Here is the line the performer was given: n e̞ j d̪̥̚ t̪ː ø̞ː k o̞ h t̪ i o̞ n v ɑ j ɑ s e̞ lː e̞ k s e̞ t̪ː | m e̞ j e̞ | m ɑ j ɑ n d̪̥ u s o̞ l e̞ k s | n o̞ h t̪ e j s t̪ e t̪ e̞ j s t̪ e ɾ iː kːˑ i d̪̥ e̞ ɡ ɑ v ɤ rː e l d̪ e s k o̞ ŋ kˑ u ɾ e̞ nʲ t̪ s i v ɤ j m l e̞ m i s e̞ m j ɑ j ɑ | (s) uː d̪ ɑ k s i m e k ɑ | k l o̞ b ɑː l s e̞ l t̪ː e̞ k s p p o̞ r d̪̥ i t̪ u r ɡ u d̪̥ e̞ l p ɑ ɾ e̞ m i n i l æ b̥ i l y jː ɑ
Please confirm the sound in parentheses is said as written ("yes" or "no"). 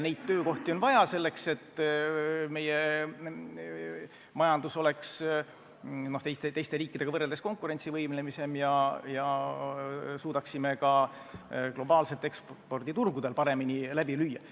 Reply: yes